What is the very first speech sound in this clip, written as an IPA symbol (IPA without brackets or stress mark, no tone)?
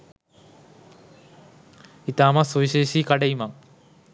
i